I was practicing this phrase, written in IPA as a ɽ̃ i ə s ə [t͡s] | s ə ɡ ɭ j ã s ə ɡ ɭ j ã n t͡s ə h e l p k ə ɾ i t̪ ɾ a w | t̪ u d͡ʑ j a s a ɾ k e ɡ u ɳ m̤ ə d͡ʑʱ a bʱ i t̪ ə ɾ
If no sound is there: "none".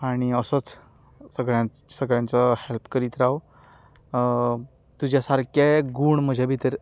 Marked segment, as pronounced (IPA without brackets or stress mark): t͡s